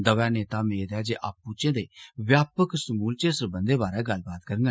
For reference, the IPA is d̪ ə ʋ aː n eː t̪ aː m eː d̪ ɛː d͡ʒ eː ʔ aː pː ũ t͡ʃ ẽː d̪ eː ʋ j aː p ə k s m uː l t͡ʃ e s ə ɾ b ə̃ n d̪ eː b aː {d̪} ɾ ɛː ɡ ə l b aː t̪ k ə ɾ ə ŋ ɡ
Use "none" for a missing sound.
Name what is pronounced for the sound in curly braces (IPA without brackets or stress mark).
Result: none